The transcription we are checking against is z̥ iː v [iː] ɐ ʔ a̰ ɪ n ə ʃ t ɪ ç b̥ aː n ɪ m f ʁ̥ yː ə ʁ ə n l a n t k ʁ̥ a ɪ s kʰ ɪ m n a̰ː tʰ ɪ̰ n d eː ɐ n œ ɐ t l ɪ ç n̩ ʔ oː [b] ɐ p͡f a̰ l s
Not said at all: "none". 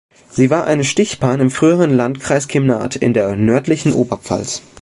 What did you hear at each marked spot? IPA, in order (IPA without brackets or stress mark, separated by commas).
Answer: aː, b